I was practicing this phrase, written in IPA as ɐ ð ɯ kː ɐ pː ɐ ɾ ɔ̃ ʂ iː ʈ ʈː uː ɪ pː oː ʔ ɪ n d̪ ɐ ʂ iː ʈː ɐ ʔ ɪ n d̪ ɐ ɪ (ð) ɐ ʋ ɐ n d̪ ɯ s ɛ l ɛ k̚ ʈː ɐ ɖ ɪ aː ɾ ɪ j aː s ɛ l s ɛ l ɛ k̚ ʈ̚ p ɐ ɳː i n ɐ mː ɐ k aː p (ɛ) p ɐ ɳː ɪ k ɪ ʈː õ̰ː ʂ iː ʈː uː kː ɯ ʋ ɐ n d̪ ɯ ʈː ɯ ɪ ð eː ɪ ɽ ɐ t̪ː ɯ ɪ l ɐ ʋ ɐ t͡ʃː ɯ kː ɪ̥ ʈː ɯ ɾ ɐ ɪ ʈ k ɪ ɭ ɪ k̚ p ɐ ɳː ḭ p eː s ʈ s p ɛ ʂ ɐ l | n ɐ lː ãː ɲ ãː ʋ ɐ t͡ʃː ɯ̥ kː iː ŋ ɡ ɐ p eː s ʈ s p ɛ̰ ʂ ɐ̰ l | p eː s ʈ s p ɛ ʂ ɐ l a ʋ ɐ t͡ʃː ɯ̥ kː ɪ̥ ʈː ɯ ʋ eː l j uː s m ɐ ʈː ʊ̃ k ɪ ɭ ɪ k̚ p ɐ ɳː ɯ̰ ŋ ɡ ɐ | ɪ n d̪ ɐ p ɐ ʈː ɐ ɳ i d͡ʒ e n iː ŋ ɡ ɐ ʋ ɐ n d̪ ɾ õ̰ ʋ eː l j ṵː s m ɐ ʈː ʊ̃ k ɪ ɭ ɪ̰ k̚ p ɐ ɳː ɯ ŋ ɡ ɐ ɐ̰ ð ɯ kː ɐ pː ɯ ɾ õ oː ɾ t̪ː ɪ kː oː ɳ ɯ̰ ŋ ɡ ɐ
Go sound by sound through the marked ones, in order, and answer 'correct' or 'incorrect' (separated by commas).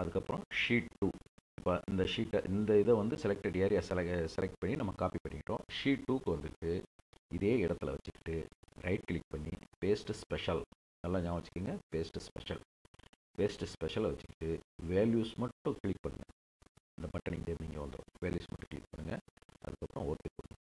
correct, incorrect